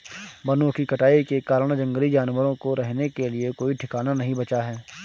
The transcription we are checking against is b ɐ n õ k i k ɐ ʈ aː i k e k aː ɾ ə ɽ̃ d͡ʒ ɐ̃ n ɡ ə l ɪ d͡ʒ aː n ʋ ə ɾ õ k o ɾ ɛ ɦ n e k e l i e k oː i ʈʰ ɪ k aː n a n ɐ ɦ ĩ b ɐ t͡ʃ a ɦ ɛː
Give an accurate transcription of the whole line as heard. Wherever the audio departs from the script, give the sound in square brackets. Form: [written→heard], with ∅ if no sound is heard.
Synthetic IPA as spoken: b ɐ n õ k i k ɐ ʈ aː i k e k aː ɾ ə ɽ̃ d͡ʒ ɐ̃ [n→ŋ] ɡ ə l [ɪ→i] d͡ʒ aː n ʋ ə ɾ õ k o ɾ ɛ ɦ n e k e l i e k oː i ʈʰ ɪ k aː n a n ɐ ɦ ĩ b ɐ t͡ʃ a ɦ ɛː